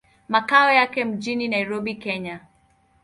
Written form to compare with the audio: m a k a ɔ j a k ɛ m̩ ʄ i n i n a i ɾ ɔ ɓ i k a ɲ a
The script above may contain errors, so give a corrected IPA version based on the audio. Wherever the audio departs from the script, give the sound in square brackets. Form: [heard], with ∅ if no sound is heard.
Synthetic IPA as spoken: m a k a ɔ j a k ɛ m̩ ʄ i n i n a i ɾ ɔ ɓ i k [ɛ] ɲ a